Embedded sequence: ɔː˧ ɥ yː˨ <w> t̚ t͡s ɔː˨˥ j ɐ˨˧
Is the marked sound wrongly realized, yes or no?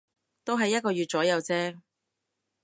yes